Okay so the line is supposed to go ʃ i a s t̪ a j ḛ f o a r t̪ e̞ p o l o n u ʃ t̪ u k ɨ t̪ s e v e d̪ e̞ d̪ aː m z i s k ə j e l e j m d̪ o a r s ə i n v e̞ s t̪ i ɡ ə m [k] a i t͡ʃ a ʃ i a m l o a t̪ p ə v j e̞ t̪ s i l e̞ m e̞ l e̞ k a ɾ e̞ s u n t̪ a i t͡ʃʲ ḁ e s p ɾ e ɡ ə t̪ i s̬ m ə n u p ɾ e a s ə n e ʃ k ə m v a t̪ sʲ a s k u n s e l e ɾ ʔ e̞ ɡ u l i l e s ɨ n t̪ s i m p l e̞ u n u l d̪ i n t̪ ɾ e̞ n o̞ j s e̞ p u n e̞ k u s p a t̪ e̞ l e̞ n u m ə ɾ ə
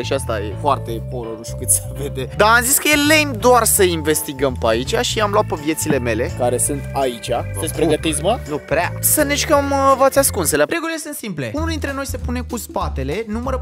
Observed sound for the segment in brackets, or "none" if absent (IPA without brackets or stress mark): p